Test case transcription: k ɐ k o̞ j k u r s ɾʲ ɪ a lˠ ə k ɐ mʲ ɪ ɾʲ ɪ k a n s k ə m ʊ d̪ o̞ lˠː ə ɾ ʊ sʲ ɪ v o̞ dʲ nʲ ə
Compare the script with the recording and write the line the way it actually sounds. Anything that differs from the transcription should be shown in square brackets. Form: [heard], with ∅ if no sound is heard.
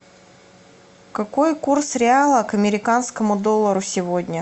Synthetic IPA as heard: k ɐ k o̞ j k u r s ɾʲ ɪ a lˠ ə k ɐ mʲ ɪ ɾʲ ɪ k a n s k ə m ʊ d̪ o̞ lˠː ə ɾ ʊ sʲ ɪ v o̞ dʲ nʲ ə

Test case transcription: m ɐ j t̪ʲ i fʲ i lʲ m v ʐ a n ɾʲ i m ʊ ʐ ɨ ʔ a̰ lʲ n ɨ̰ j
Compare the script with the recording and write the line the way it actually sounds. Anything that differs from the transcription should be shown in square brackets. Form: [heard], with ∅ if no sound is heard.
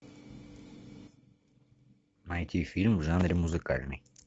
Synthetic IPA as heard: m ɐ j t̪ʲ i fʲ i lʲ m v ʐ a n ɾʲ [ɪ] m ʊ [z] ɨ [k] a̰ lʲ n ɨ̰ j

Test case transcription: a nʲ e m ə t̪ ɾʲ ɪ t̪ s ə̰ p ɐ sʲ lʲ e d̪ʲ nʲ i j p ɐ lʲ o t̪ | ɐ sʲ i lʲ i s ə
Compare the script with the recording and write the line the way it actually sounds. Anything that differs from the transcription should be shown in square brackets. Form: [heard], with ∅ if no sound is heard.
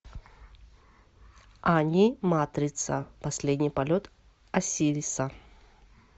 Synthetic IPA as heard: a nʲ [i] m [a] t̪ ɾʲ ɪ t̪ s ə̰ p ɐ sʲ lʲ e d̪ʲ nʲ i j p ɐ lʲ o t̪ | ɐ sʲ i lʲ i s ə

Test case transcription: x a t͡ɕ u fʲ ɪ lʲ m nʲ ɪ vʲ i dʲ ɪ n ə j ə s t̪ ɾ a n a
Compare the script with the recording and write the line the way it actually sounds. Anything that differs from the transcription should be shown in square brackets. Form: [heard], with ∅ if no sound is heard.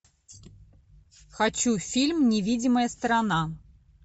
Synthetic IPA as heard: x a t͡ɕ u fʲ [i] lʲ m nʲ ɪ vʲ i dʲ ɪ [m] ə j ə s t̪ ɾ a n a

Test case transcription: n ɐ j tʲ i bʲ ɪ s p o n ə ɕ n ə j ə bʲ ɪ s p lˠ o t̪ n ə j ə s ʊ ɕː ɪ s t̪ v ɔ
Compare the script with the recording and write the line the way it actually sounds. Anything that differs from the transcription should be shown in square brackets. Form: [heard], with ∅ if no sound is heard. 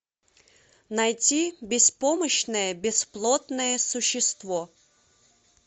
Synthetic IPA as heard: n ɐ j tʲ i bʲ ɪ s p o [m] ə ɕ n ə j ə bʲ ɪ s p lˠ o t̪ n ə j ə s ʊ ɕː ɪ s t̪ v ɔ

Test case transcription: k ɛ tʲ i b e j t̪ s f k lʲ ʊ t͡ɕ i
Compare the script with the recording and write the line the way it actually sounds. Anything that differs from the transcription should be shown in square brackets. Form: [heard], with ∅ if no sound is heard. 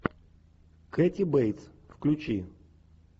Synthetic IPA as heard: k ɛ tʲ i b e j t̪ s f k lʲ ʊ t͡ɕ i

